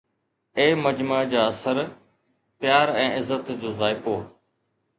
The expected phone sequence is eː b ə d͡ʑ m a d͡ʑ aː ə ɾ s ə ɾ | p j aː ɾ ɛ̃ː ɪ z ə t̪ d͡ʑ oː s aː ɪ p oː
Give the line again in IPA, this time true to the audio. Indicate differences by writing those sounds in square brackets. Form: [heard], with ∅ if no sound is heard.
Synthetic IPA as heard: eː [m] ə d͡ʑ m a d͡ʑ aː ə [∅] s ə ɾ | p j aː ɾ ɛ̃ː ɪ z ə t̪ d͡ʑ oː [z] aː ɪ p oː